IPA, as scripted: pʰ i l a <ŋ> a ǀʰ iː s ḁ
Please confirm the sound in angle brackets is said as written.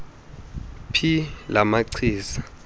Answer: no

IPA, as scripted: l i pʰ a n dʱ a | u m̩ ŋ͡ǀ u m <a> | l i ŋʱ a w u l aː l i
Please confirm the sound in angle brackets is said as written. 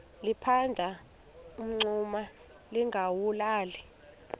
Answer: yes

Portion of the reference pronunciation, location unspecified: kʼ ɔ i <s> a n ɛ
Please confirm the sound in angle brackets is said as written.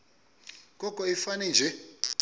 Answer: no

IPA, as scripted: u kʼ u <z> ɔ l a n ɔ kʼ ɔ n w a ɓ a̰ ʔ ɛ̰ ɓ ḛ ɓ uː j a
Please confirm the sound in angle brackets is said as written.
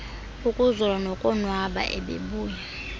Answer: yes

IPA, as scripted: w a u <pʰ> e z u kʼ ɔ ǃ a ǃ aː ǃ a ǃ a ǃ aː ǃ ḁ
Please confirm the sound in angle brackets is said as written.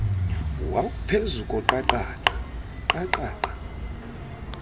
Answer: yes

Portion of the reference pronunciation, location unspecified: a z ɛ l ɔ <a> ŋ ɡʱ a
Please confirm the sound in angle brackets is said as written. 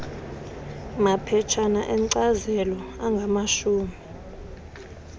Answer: yes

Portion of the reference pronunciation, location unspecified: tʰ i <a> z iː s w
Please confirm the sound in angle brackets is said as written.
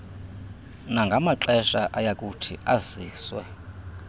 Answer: yes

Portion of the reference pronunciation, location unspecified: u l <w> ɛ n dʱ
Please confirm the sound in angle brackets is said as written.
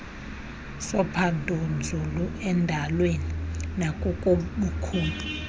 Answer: no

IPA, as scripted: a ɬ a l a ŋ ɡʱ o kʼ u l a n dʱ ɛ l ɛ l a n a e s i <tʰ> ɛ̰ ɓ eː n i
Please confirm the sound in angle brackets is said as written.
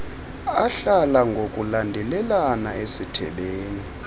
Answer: yes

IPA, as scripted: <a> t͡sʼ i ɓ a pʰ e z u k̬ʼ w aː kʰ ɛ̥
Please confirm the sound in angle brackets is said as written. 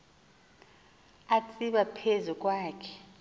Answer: yes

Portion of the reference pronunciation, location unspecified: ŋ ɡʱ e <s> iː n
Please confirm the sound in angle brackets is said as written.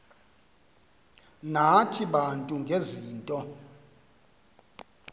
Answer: no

